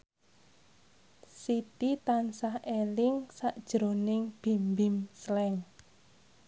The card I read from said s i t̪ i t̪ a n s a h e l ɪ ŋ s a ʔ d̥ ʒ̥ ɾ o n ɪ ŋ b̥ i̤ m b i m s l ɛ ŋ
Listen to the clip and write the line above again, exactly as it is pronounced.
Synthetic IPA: s i t̪ i t̪ a n s a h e l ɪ ŋ s a ʔ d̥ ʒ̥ ɾ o n ɪ ŋ b̥ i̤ m b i m s l ɛ ŋ

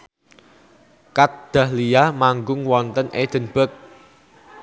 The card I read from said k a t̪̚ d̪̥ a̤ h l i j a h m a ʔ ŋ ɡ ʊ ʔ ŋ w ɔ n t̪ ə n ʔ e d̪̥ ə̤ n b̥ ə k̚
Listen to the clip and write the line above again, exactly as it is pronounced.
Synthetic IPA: k a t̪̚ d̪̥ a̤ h l i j a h m a ŋ ɡ ʊ ŋ w ɔ n t̪ ə n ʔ e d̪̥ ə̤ n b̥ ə k̚

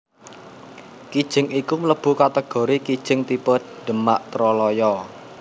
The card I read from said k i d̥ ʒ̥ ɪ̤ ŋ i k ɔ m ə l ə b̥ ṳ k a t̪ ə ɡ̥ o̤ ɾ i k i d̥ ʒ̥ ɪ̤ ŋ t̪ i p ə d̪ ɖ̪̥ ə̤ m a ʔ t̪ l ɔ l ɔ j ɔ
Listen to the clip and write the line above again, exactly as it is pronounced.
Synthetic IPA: k i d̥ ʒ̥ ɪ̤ ŋ i k u m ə l ə b̥ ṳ k a t̪ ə ɡ̥ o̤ ɾ i k i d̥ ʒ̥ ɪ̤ ŋ t̪ i p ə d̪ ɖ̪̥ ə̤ m a ʔ t̪ ɾ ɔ l ɔ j ɔ

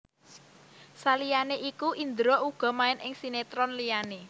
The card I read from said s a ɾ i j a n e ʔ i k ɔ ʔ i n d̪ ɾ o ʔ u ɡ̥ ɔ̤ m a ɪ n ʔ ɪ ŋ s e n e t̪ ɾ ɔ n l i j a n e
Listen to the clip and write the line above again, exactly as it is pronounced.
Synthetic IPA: s a l i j a n e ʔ i k u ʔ i n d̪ ɾ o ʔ u ɡ̥ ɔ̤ m a ɪ n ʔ ɪ ŋ s i n e t̪ ɾ ɔ n l i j a n e

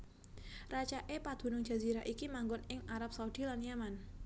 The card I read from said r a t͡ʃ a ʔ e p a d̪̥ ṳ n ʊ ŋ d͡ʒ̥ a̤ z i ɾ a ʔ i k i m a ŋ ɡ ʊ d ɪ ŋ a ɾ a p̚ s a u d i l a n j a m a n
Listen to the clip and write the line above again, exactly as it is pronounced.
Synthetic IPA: r a t͡ʃ a ʔ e p a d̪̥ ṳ n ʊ ŋ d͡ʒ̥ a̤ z i ɾ a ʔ i k i m a ŋ ɡ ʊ n ɪ ŋ a ɾ a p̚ s a u d i l a n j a m a n

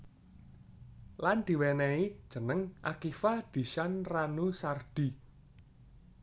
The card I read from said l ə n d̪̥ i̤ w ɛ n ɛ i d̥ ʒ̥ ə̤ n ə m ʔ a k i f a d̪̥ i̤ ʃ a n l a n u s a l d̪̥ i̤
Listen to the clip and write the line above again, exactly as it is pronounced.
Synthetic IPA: l a n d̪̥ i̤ w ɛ n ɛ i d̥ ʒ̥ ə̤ n ə ŋ ʔ a k i f a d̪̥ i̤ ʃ a n r a n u s a r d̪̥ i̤

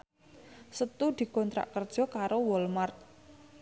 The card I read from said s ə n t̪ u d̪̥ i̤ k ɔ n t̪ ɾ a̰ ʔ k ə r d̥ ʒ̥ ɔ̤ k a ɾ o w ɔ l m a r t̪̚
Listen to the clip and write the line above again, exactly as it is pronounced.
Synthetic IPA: s ə t̪ u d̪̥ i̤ k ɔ n t̪ ɾ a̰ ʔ k ə r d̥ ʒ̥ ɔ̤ k a ɾ o w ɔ l m a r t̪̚

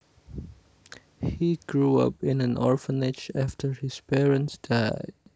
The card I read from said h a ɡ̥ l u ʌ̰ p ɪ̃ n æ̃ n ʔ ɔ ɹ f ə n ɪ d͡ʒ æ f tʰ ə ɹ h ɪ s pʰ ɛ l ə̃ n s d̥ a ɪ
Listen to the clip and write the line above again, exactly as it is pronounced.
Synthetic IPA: h i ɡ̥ ɹ u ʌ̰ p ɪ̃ n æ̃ n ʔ ɔ ɹ f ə n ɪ d͡ʒ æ f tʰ ə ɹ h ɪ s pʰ ɛ ɹ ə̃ n s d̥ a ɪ

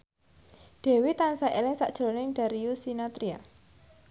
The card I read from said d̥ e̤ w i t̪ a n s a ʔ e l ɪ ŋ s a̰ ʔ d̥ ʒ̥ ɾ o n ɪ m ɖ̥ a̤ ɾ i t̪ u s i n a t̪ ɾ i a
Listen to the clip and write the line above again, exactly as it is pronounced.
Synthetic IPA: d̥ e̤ w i t̪ a n s a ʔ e l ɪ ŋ s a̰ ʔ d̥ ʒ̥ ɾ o n ɪ ŋ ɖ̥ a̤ ɾ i u s i n a t̪ ɾ i a

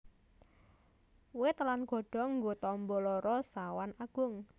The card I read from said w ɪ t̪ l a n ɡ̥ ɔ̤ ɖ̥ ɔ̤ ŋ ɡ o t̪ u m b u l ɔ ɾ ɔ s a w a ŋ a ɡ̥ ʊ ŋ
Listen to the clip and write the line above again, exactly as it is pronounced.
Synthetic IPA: w ɪ t̪ l a n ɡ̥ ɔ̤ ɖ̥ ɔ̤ ŋ ɡ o t̪ ɔ m b ɔ l ɔ ɾ ɔ s a w a n a ɡ̥ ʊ ŋ

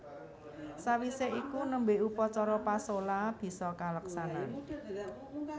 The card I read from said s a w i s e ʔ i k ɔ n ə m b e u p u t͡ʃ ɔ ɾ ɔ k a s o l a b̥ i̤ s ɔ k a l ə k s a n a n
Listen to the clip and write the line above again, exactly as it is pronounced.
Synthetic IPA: s a w i s e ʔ i k u n ə m b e u p ɔ t͡ʃ ɔ ɾ ɔ p a s o l a b̥ i̤ s ɔ k a l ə k s a n a n

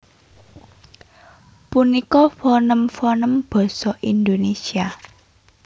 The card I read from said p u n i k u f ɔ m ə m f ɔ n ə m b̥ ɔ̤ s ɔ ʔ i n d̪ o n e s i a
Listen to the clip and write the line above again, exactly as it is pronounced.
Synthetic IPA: p u n i k ɔ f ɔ n ə m f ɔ n ə m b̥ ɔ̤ s ɔ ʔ i n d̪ o n e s i a

